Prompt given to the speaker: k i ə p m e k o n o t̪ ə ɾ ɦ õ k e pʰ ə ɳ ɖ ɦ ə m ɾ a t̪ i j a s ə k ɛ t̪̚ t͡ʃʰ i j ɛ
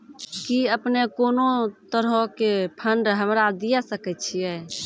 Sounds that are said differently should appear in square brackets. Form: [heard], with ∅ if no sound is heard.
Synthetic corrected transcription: k i ə p [n] e k o n o t̪ ə ɾ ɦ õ k e pʰ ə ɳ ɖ ɦ ə m ɾ a [d̪] i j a s ə k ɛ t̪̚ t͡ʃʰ i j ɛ